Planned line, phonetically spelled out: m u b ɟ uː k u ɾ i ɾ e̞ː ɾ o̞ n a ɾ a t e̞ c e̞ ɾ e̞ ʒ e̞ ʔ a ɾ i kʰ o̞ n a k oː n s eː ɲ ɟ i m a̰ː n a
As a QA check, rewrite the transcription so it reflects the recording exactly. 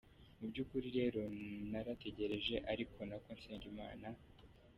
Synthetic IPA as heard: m u b ɟ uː k u ɾ i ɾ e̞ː ɾ o̞ n a ɾ a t e̞ ɟ e̞ ɾ e̞ ʒ e̞ ʔ a ɾ i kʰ o̞ n a k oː n s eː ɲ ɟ i m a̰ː n a

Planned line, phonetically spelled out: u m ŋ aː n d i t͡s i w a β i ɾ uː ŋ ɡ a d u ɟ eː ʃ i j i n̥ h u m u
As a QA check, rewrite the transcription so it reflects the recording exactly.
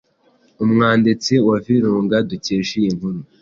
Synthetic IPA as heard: u m ŋ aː n d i t͡s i w a v i ɾ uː ŋ ɡ a d u c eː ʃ i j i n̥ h u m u

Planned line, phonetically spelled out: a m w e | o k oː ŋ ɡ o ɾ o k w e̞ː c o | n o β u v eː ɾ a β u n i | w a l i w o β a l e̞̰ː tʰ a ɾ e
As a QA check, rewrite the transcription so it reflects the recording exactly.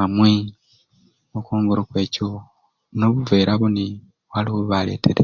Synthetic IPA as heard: a m w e | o k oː ŋ ɡ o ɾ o k w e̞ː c o | n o β u v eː ɾ a β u n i | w a l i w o β a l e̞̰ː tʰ e ɾ e

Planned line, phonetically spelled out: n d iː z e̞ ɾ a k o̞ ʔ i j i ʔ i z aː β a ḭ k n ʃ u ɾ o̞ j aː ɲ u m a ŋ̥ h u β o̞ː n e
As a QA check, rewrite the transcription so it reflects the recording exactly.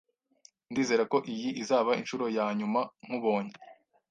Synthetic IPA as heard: n d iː z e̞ ɾ a k o̞ ʔ i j i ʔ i z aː β a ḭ n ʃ u ɾ o̞ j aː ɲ u m a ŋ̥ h u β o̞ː ɲ e

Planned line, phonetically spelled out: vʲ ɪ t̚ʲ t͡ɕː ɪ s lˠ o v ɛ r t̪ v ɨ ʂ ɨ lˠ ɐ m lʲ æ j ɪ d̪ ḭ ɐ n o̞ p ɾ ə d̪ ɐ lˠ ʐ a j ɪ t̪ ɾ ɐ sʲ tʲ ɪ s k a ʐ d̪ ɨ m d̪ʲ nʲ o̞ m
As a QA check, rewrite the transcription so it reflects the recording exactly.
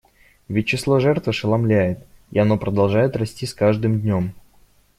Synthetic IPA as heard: vʲ ɪ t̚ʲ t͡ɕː ɪ s lˠ o ʐ ɛ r t̪ v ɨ ʂ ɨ lˠ ɐ m lʲ æ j ɪ t̪ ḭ ɐ n o̞ p ɾ ə d̪ ɐ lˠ ʐ a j ɪ t̪ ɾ ɐ sʲ tʲ i s k a ʐ d̪ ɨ m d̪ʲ nʲ o̞ m

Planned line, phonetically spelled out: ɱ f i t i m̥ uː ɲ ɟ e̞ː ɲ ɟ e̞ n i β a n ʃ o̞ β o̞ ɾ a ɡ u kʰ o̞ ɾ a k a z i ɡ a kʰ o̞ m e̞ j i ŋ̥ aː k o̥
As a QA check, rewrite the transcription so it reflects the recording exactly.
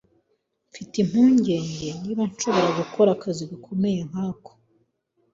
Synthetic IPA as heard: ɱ f i t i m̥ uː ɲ ɟ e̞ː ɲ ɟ e̞ n i β a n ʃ o̞ β o̞ ɾ a ɡ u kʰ o̞ ɾ a k a z i ɡ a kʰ o̞ m e̞ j e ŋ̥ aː k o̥

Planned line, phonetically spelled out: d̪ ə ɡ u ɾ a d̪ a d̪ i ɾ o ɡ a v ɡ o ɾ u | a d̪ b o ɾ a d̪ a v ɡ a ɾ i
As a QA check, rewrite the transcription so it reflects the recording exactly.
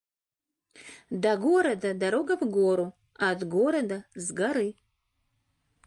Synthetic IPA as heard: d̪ a ɡ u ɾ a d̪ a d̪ a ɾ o ɡ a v ɡ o ɾ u | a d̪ ɡ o ɾ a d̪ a z ɡ a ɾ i

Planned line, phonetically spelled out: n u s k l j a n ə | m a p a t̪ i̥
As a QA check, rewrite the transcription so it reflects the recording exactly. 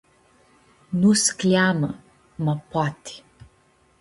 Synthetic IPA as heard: n u s k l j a m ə | m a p a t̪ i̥

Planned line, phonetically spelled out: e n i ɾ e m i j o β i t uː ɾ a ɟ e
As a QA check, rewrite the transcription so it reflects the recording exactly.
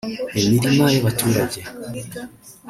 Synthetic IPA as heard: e m i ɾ i m a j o β a t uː ɾ a ɟ e

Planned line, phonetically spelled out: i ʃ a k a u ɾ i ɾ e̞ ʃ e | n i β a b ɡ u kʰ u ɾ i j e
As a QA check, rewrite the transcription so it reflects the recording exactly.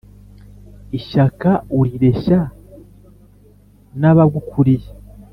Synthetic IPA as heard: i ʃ a k a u ɾ i ɾ e̞ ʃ a | n a β a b ɡ u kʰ u ɾ i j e

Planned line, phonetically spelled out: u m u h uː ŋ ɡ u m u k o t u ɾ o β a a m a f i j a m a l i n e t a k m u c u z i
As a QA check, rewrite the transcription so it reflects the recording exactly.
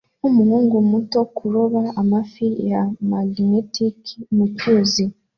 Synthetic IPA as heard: u m u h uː ŋ ɡ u m u t o k u ɾ o β a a m a f i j a m a l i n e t i k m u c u z i

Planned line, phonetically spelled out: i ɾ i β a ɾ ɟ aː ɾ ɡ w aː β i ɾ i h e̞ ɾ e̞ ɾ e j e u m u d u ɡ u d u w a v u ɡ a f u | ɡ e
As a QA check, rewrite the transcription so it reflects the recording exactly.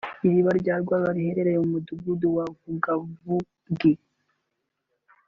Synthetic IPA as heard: i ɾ i β a ɾ ɟ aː ɾ ɡ w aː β a ɾ i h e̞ ɾ e̞ ɾ e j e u m u d u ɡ u d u w a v u ɡ a v u | ɡ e

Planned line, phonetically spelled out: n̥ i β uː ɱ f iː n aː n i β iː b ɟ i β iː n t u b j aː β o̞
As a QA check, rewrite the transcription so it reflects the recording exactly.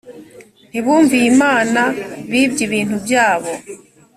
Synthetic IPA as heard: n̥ i β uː ɱ v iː m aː n a β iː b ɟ i β iː n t u b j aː β o̞

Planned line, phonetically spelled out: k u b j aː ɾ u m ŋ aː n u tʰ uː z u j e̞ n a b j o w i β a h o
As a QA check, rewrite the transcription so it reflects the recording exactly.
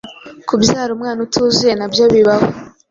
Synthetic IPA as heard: k u b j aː ɾ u m ŋ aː n u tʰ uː z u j e̞ n a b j o β i β a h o

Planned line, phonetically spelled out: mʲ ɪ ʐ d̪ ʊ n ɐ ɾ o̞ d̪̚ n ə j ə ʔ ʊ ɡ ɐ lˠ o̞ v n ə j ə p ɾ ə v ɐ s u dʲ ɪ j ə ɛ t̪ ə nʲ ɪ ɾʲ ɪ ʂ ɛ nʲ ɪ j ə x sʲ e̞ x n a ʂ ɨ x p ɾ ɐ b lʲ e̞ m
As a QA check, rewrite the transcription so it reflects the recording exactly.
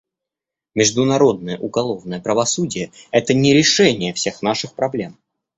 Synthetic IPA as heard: mʲ ɪ ʐ d̪ ʊ n ɐ ɾ o̞ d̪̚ n ə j ə ʔ ʊ ɡ ɐ lˠ o̞ v n ə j ə p ɾ ə v ɐ s u dʲ ɪ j ə ɛ t̪ ə nʲ ɪ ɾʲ ɪ ʂ ɛ nʲ ɪ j ə f sʲ e̞ x n a ʂ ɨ x p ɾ ɐ b lʲ e̞ m

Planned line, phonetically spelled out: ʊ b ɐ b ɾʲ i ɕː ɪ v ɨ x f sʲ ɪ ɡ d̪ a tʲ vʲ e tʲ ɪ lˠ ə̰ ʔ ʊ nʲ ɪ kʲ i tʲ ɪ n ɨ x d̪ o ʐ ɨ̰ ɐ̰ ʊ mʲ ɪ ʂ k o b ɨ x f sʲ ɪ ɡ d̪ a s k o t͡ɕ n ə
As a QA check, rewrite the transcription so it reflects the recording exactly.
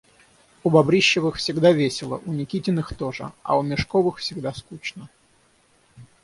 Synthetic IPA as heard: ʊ b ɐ b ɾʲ i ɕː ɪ v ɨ x f sʲ ɪ ɡ d̪ a vʲ e sʲ ɪ lˠ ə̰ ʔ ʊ nʲ ɪ kʲ i tʲ ɪ n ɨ x t̪ o ʐ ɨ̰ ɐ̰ ʊ mʲ ɪ ʂ k o v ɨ x f sʲ ɪ ɡ d̪ a s k u t͡ɕ n ə

